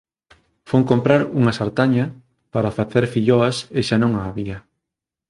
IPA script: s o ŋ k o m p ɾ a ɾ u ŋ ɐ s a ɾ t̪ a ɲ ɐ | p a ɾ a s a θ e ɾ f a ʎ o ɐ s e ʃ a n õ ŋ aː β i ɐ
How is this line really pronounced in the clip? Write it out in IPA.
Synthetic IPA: f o ŋ k o m p ɾ a ɾ u ŋ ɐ s a ɾ t̪ a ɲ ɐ | p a ɾ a f a θ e ɾ f i ʎ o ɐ s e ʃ a n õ ŋ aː β i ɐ